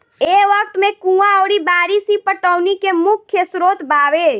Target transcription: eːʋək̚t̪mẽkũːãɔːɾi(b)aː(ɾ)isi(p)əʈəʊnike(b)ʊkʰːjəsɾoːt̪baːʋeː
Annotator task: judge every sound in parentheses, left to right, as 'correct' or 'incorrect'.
correct, correct, correct, incorrect: m

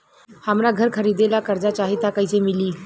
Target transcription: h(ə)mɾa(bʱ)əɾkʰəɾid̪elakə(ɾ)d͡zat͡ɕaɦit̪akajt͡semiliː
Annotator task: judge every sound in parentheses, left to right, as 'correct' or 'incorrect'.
incorrect: a, incorrect: ɡʱ, correct

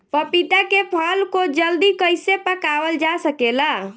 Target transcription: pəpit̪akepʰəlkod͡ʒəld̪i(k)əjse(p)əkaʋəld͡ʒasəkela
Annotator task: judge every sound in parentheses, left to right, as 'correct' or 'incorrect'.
correct, correct

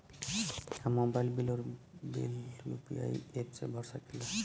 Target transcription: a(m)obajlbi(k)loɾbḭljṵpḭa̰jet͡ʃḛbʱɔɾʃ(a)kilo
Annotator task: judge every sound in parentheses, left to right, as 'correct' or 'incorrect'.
correct, incorrect: none, correct

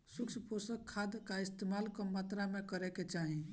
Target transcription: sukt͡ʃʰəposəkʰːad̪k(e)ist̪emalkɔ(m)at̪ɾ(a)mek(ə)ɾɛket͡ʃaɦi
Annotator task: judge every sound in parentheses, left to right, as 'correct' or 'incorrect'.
incorrect: a, correct, correct, correct

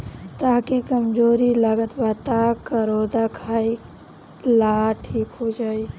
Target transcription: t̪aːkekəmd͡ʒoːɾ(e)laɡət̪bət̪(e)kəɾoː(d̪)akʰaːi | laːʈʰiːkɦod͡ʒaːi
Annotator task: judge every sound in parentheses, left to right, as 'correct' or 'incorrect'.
incorrect: i, incorrect: a, correct

